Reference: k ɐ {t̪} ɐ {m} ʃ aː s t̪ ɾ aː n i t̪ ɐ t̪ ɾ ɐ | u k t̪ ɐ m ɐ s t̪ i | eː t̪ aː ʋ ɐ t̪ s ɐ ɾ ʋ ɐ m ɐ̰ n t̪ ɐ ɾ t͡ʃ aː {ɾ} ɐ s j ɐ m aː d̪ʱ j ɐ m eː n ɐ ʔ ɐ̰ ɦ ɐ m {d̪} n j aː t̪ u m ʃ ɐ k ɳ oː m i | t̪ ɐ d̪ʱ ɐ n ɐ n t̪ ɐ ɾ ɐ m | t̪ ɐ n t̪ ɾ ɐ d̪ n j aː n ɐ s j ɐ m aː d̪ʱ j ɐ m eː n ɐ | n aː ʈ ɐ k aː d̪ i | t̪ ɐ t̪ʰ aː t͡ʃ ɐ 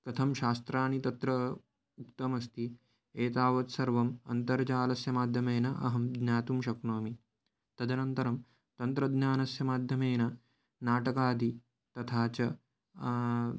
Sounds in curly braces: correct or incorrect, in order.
incorrect, correct, incorrect, correct

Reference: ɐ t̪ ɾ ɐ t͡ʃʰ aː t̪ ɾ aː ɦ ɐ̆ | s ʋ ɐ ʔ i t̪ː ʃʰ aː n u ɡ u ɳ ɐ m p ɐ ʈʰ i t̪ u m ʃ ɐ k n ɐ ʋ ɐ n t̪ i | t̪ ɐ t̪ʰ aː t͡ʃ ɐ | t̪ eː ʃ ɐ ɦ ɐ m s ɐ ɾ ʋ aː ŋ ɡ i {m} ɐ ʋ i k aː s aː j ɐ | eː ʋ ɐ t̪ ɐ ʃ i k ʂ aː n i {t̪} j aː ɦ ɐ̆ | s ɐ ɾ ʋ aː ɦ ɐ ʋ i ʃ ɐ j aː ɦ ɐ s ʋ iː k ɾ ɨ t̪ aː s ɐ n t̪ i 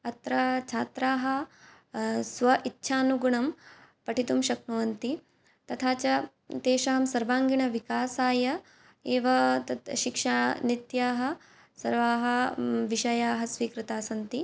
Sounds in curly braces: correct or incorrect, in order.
incorrect, correct

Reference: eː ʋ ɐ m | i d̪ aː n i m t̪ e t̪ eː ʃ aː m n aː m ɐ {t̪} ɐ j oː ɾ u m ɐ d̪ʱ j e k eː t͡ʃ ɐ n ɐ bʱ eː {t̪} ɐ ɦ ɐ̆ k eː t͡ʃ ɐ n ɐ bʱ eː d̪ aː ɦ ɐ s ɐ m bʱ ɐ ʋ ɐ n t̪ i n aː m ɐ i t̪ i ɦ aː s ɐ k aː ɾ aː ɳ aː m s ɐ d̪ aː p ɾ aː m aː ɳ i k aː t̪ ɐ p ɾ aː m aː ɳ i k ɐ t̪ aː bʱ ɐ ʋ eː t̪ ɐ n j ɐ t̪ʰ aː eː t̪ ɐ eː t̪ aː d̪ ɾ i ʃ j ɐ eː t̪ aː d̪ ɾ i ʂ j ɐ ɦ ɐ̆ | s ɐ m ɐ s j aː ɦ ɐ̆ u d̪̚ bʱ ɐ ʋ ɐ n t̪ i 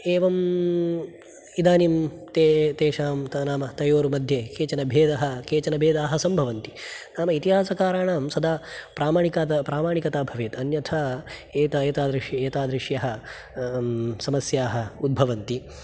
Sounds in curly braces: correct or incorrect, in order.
correct, incorrect

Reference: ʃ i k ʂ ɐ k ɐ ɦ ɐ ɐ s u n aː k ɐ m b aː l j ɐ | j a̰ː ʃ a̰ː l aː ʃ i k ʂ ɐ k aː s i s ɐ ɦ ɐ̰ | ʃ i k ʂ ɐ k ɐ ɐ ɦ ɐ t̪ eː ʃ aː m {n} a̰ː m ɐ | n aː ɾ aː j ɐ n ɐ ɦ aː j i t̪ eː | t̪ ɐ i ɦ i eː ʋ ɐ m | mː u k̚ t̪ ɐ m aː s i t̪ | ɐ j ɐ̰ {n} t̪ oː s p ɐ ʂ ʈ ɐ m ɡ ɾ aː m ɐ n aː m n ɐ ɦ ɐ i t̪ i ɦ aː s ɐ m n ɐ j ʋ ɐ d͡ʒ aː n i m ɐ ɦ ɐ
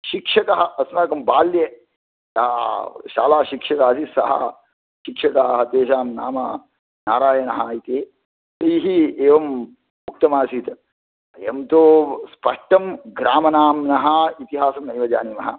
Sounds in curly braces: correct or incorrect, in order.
correct, incorrect

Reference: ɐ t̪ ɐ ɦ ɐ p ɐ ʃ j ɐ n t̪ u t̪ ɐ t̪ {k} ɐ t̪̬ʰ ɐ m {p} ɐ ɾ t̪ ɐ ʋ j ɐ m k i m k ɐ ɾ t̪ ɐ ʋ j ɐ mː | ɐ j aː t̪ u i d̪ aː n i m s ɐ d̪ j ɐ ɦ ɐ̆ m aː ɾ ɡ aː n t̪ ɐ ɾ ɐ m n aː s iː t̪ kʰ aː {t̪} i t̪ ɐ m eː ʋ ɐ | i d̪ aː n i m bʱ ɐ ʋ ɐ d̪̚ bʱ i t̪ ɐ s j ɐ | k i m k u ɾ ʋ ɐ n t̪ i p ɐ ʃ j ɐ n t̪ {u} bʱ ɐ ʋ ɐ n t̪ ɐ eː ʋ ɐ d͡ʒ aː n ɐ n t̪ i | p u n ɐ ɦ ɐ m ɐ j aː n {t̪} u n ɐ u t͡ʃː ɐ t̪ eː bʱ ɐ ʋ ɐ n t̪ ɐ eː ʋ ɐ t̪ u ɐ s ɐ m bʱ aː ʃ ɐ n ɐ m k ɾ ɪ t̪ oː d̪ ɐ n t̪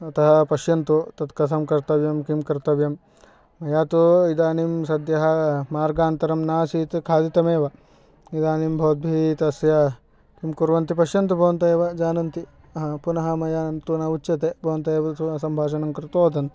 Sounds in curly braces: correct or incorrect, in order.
correct, incorrect, incorrect, correct, correct

